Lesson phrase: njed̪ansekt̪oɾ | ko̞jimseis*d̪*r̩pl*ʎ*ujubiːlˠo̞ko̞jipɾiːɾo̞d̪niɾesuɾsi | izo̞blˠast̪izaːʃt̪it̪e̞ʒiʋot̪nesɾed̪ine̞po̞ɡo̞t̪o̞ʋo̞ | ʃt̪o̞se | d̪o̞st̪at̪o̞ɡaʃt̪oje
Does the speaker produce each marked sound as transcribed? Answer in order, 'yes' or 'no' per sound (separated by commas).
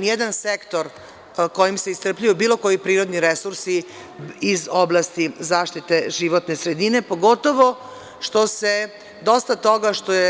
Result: no, yes